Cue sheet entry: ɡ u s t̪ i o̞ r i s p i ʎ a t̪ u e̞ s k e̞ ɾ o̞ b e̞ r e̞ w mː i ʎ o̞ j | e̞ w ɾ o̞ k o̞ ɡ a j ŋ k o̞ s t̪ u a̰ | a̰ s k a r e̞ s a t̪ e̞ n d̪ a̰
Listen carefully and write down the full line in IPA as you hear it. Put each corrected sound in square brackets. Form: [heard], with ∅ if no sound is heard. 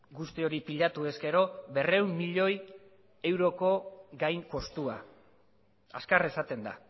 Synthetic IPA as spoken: ɡ u s t̪ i o̞ [ɾ] i [∅] p i ʎ a t̪ u e̞ s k e̞ ɾ o̞ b e̞ r e̞ w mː i ʎ o̞ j | e̞ w ɾ o̞ k o̞ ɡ a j ŋ k o̞ s t̪ u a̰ | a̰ s k a r e̞ s a t̪ e̞ n d̪ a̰